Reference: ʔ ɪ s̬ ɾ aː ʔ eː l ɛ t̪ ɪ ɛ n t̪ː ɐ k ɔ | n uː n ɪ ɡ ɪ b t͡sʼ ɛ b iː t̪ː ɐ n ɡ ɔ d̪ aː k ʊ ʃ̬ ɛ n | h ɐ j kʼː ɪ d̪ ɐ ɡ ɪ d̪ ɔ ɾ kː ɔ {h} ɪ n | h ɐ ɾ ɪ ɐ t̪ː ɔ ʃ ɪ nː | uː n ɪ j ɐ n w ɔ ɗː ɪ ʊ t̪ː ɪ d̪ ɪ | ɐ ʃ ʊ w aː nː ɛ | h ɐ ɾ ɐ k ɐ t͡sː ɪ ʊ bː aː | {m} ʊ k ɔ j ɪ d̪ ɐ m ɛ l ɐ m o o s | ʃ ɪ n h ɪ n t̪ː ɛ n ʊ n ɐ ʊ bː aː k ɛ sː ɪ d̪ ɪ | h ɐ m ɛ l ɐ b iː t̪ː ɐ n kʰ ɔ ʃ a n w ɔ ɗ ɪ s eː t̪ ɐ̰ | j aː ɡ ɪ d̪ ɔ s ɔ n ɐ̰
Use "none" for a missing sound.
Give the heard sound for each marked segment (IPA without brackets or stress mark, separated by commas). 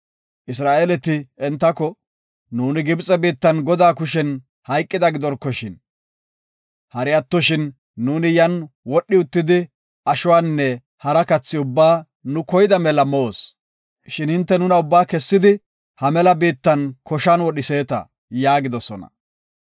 ʃ, n